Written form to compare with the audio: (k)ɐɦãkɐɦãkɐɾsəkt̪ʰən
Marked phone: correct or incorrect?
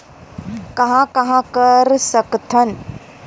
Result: correct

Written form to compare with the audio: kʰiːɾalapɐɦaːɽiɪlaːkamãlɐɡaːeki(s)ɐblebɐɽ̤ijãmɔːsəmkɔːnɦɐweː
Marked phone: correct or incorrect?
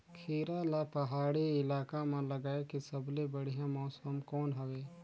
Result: correct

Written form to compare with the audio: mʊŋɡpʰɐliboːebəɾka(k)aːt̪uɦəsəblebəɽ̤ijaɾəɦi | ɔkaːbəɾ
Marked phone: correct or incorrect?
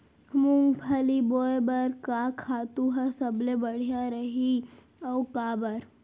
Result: incorrect: kʰ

